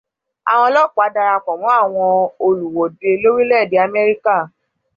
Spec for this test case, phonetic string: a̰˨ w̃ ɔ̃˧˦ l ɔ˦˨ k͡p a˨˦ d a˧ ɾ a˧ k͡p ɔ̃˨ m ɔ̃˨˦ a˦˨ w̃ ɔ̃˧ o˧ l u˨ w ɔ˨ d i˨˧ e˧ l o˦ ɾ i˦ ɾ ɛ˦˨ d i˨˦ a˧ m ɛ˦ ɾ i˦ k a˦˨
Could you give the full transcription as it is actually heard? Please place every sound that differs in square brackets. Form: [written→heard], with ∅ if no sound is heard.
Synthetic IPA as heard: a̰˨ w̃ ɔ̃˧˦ l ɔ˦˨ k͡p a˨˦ d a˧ ɾ a˧ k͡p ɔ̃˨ m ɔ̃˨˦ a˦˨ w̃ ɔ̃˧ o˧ l u˨ w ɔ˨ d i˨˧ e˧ l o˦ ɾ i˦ [ɾ→l] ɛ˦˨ d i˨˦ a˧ m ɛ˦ ɾ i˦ k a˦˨